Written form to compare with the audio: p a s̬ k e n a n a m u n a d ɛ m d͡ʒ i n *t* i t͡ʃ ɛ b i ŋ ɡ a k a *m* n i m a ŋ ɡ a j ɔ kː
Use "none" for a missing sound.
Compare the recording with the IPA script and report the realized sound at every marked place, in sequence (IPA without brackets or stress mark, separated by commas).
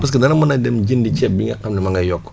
d, m